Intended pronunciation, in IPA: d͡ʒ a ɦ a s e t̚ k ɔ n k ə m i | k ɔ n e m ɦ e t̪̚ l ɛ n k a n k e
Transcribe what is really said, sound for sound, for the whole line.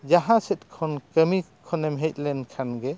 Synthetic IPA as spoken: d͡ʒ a ɦ a s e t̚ kʰ ɔ n k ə m i | kʰ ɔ n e m ɦ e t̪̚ l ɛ n kʰ a n ɡ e

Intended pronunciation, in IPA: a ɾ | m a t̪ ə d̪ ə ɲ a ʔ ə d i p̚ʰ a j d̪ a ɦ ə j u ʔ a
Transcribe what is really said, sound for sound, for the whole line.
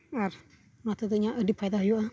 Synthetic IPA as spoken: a ɾ | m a t̪ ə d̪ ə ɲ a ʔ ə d i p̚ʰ a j d̪ a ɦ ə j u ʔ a

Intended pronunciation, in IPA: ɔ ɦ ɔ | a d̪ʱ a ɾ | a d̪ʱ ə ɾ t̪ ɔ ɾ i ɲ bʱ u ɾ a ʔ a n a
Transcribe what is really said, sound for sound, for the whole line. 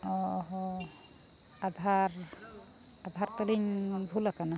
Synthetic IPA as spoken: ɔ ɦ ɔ | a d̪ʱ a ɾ | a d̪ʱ a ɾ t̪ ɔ l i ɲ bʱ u l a k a n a

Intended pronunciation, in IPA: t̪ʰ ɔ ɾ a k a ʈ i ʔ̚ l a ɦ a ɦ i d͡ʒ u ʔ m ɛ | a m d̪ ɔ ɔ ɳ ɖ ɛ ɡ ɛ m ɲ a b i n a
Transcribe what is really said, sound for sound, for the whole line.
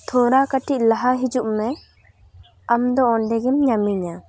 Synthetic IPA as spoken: t̪ʰ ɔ ɾ a k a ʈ i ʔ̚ l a ɦ a ɦ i d͡ʒ u ʔ m ɛ | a m d̪ ɔ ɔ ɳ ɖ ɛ ɡ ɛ m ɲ a m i ɲ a

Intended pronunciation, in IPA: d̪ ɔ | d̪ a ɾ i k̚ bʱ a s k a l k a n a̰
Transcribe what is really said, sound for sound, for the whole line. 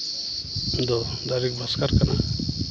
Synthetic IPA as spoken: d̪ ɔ | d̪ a ɾ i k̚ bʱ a s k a ɾ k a n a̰

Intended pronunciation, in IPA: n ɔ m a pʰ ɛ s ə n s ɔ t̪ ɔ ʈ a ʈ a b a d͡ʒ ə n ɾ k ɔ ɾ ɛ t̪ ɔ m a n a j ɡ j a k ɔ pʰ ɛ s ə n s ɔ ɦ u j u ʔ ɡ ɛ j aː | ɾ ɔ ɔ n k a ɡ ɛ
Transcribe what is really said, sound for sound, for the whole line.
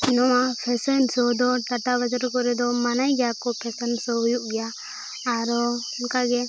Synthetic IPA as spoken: n ɔ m a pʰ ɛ s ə n s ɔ d̪ ɔ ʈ a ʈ a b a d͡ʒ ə ɾ k ɔ ɾ ɛ d̪ ɔ m a n a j ɡ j a k ɔ pʰ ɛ s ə n s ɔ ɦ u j u ʔ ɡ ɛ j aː | ɾ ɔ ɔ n k a ɡ ɛ

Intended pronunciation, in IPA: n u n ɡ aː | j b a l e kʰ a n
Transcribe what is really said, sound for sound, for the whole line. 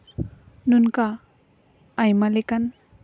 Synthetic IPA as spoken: n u n k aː | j m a l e k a n

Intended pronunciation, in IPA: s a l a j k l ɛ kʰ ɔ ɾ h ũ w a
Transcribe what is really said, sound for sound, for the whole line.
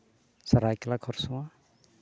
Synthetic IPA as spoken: s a ɾ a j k l a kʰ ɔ ɾ s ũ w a

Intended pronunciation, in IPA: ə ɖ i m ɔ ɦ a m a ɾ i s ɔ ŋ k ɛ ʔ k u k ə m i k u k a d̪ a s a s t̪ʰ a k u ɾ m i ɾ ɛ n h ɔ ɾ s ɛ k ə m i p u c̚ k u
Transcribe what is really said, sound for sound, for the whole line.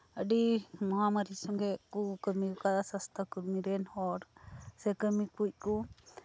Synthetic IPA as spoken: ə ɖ i m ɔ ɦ a m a ɾ i s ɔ ŋ ɡ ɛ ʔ k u k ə m i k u k a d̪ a s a s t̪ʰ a k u ɾ m i ɾ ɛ n h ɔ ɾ s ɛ k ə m i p u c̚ k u

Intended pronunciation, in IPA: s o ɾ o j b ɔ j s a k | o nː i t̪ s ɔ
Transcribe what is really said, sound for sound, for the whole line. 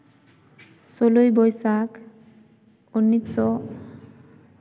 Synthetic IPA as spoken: s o l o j b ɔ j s a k | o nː i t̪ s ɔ

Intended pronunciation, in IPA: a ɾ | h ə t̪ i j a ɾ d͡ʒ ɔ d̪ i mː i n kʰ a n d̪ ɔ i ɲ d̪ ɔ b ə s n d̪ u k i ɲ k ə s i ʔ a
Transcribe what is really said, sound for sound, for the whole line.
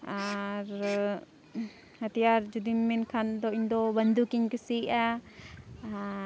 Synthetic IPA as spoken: a ɾ | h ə t̪ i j a ɾ d͡ʒ u d̪ i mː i n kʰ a n d̪ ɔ i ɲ d̪ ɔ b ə n d̪ u k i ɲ k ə s i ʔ a

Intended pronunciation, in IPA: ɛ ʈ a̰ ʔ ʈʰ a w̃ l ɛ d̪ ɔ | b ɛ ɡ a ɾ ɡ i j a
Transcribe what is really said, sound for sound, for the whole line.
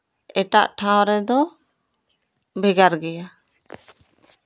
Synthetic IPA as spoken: ɛ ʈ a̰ ʔ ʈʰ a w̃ ɾ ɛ d̪ ɔ | b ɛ ɡ a ɾ ɡ ɛ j a

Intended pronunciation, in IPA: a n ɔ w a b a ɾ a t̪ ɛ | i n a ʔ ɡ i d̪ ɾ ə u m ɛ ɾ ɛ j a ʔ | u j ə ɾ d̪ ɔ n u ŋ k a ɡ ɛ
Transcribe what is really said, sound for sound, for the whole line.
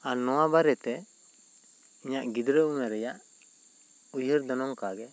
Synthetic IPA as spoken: a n ɔ w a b a ɾ ɛ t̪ ɛ | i ɲ a ʔ ɡ i d̪ ɾ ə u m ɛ ɾ ɛ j a ʔ | u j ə ɾ d̪ ɔ n ɔ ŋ k a ɡ ɛ

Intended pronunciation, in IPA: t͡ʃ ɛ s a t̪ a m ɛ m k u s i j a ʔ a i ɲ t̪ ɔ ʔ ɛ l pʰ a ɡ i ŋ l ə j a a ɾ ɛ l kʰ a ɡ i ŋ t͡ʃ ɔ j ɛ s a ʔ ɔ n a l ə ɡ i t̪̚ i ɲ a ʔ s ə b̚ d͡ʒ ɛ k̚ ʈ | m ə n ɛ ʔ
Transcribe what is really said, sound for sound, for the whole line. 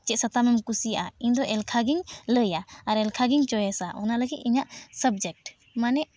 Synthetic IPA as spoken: t͡ʃ ɛ s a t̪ a m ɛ m k u s i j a ʔ a i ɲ d̪ ɔ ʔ ɛ l kʰ a ɡ i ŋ l ə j a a ɾ ɛ l kʰ a ɡ i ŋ t͡ʃ ɔ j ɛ s a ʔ ɔ n a l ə ɡ i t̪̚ i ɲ a ʔ s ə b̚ d͡ʒ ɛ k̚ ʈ | m a n ɛ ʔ

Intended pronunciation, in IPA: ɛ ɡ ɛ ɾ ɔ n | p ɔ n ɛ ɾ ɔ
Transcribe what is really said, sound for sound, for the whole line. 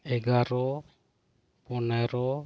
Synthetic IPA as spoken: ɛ ɡ a ɾ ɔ | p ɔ n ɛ ɾ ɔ

